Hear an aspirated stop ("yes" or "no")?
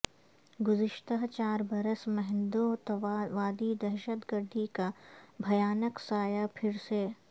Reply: yes